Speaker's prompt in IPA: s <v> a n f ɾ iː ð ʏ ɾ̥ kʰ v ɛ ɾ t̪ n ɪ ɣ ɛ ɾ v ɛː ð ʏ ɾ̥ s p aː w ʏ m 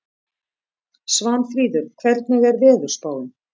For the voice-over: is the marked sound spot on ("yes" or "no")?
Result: yes